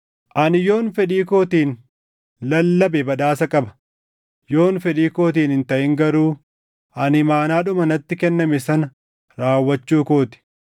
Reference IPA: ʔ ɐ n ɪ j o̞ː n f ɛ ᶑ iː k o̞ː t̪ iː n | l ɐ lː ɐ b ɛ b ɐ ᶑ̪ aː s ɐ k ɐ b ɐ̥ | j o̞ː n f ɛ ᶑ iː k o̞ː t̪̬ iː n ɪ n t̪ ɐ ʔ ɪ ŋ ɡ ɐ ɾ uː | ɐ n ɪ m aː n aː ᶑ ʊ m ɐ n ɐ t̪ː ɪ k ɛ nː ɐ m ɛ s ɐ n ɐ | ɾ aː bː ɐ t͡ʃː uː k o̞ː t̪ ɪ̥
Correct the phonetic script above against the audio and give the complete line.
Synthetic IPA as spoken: ʔ ɐ n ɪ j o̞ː n f ɛ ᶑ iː k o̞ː t̪ iː n | l ɐ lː ɐ b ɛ b ɐ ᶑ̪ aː s ɐ kʼ ɐ b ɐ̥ | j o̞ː n f ɛ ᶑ iː k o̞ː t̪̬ iː n ɪ n t̪ ɐ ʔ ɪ ŋ ɡ ɐ ɾ uː | ɐ n ɪ m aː n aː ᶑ ʊ m ɐ n ɐ t̪ː ɪ k ɛ nː ɐ m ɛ s ɐ n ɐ | ɾ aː wː ɐ t͡ʃː uː k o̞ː t̪ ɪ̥